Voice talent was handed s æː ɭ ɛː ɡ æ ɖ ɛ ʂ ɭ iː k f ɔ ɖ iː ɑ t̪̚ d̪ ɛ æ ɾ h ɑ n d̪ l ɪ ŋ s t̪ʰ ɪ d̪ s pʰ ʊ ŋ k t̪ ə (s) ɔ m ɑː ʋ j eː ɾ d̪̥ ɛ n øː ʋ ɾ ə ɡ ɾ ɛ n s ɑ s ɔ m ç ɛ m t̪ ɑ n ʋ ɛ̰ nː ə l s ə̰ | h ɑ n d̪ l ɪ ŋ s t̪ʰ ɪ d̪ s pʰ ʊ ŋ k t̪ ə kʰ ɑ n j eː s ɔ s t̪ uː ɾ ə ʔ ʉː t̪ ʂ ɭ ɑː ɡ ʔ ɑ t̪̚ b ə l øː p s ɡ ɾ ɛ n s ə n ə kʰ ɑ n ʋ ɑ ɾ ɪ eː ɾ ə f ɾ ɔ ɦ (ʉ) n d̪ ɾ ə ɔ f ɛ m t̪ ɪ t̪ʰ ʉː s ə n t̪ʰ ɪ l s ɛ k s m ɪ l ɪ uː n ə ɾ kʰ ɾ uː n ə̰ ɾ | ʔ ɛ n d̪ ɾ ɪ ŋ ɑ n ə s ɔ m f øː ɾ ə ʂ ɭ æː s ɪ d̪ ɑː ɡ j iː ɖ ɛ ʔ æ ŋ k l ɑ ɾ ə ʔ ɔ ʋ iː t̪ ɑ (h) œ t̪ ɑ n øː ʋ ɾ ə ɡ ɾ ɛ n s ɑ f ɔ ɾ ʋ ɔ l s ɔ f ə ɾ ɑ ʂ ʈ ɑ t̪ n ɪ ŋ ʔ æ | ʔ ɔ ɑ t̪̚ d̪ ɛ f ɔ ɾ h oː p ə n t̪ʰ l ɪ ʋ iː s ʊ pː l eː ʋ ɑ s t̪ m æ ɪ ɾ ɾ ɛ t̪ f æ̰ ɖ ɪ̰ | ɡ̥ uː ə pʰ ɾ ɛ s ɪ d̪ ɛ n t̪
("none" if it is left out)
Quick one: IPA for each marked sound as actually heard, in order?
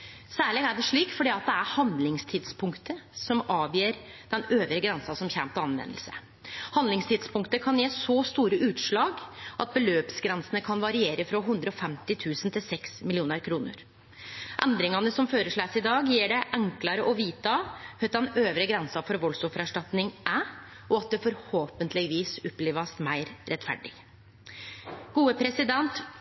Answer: s, ʉ, h

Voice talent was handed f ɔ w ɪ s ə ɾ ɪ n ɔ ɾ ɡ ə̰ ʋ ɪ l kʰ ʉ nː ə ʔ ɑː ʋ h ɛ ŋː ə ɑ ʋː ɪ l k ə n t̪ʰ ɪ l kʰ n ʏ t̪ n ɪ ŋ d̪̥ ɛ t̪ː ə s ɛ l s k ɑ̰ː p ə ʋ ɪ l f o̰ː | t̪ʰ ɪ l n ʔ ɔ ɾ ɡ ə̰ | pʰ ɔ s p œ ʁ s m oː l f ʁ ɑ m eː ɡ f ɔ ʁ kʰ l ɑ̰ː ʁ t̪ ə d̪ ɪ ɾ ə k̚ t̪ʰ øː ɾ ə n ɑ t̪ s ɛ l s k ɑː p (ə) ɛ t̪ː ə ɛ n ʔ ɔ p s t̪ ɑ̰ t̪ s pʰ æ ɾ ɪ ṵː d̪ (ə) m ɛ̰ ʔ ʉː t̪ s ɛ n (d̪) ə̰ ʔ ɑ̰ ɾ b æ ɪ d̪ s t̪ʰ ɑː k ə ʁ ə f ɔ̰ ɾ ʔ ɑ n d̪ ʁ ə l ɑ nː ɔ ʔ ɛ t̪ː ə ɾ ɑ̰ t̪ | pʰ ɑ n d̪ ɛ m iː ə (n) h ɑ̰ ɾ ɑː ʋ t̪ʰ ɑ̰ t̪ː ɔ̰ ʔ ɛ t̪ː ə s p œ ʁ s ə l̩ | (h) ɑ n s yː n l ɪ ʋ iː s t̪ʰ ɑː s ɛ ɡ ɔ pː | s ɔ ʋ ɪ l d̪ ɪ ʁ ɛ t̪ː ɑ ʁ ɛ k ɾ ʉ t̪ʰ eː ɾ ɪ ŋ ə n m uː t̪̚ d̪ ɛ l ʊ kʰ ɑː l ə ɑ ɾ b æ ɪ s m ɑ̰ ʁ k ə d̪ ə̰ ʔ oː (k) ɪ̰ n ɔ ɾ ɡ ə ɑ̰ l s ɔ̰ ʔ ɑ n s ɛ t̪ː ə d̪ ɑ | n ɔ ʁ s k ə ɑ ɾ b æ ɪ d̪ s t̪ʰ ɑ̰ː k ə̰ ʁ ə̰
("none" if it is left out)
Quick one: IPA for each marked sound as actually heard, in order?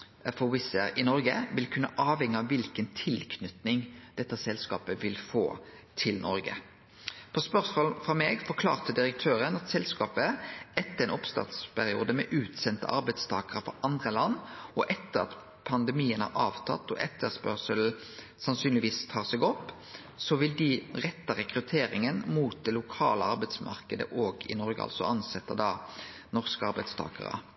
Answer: ə, ə, t̪, n, s, ɡ

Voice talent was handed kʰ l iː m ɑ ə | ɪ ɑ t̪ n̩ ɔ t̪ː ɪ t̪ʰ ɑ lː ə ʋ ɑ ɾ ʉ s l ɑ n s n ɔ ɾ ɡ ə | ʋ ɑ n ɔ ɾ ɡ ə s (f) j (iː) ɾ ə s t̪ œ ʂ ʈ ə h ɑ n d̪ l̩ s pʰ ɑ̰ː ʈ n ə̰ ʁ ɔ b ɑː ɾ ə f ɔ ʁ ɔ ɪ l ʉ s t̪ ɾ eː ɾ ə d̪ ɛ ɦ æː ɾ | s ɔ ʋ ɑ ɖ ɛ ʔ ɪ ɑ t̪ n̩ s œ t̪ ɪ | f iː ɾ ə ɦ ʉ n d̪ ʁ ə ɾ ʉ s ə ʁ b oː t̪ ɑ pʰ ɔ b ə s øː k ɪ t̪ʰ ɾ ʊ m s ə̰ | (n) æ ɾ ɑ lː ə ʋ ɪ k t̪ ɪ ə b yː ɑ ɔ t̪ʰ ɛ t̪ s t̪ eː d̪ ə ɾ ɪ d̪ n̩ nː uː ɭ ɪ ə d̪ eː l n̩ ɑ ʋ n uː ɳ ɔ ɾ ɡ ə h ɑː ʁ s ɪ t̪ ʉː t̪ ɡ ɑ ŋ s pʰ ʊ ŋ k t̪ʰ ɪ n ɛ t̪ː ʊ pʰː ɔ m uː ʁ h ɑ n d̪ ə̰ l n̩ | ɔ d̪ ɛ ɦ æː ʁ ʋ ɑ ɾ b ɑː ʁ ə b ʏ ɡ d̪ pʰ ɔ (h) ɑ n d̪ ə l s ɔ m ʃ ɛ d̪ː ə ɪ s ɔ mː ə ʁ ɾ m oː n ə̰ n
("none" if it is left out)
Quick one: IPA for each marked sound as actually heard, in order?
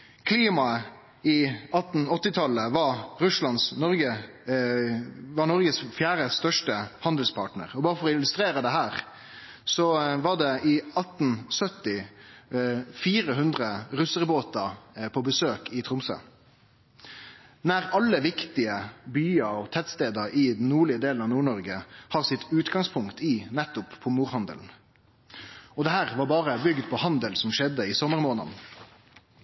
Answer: f, æː, n, h

